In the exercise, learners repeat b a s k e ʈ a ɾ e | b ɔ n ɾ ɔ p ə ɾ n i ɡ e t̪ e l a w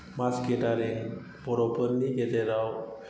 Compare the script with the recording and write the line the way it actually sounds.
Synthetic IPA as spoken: m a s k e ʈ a ɾ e | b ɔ ɾ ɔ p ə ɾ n i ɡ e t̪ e ɾ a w

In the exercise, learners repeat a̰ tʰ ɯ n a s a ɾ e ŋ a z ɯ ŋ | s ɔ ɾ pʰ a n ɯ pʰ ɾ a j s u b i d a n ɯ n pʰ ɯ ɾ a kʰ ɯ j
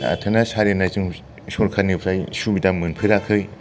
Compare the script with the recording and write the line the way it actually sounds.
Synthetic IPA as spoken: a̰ tʰ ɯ n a s a ɾ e n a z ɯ ŋ | s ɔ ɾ kʰ a n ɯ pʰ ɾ a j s u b i d a m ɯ n pʰ ɯ ɾ a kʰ ɯ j

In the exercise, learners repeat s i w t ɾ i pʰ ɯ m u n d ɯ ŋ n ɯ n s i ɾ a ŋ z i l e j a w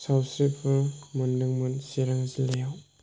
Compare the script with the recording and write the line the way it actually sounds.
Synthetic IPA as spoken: s a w s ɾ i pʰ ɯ m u n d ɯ ŋ m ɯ n s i ɾ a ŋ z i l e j a w

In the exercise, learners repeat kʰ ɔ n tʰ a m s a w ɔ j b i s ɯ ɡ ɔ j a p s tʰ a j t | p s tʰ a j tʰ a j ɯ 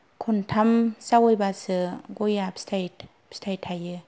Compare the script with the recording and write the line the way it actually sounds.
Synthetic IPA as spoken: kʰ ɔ n tʰ a m s a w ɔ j b a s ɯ ɡ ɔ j a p s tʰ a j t | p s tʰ a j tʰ a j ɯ

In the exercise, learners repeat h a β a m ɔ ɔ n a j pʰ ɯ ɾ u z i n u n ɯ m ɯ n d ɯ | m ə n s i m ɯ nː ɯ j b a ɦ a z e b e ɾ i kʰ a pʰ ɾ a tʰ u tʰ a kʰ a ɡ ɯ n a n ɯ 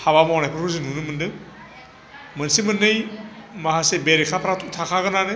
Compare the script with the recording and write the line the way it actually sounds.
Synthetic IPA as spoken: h a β a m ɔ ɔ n a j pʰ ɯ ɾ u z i n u n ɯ m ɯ n d ɯ | m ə n s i m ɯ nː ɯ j m a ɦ a s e b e ɾ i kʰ a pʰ ɾ a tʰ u tʰ a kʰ a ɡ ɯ n a n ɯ

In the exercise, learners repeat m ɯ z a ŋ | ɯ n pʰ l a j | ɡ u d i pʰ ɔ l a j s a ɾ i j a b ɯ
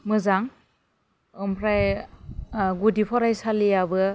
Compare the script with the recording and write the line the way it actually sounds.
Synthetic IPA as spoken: m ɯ z a ŋ | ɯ m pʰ ɾ a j | ɡ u d i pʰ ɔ ɾ a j s a l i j a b ɯ

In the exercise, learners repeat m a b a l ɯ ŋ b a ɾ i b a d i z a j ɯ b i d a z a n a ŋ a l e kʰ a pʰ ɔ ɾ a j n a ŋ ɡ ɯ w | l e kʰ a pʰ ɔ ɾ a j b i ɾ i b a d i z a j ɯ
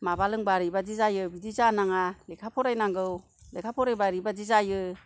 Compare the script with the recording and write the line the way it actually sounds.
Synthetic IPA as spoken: m a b a l ɯ ŋ b a ɾ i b a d i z a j ɯ b i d i z a n a ŋ a l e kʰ a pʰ ɔ ɾ a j n a ŋ ɡ ɯ w | l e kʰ a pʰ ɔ ɾ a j b a ɾ i b a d i z a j ɯ

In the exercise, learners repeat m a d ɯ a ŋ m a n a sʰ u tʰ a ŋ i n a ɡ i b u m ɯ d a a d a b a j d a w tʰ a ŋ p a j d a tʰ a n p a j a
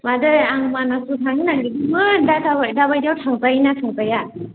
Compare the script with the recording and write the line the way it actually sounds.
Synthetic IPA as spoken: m a d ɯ a ŋ m a n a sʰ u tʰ a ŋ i n a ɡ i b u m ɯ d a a d a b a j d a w tʰ a ŋ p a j n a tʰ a ŋ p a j a

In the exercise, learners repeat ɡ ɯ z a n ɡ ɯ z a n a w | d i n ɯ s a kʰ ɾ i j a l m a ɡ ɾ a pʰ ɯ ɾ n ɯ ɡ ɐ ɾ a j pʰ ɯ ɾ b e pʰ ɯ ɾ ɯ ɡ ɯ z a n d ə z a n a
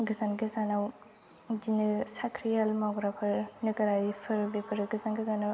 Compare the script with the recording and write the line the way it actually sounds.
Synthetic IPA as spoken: ɡ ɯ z a n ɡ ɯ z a n a w | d i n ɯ s a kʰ ɾ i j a l m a ɡ ɾ a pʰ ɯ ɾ n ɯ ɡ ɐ ɾ a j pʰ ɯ ɾ b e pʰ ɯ ɾ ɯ ɡ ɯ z a n ɡ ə z a n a

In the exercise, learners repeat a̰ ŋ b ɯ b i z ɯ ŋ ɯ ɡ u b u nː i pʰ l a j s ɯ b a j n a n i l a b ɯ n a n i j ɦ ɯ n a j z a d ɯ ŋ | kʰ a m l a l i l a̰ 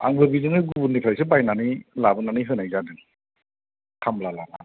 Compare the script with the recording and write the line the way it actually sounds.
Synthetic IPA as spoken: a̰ ŋ b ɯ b i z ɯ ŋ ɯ ɡ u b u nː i pʰ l a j s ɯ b a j n a n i l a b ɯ n a n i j ɦ ɯ n a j z a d ɯ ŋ | kʰ a m l a l a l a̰

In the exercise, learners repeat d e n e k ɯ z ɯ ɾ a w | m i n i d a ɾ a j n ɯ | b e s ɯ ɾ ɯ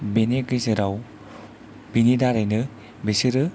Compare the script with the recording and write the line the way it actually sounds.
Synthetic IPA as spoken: b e n e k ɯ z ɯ ɾ a w | b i n i d a ɾ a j n ɯ | b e s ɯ ɾ ɯ

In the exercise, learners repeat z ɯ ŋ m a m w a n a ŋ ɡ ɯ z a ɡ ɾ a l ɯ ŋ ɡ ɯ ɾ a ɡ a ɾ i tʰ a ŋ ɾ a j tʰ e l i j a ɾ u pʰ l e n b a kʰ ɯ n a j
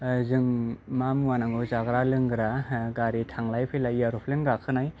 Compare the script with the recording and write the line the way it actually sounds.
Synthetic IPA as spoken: z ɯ ŋ m a m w a n a ŋ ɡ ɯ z a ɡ ɾ a l ɯ ŋ ɡ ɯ ɾ a ɡ a ɾ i tʰ a ŋ l a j pʰ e l a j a ɾ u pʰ l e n ɡ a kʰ ɯ n a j

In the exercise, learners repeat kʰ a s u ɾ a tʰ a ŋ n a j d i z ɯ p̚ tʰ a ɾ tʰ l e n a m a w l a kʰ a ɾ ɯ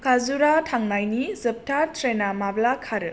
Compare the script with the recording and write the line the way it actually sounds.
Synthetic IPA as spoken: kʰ a z u ɾ a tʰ a ŋ n a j n i z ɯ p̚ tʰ a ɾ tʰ ɾ e n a m a b l a kʰ a ɾ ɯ

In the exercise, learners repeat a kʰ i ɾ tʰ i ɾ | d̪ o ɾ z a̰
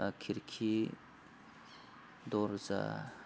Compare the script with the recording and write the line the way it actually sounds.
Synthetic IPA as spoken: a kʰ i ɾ kʰ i | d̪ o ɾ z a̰

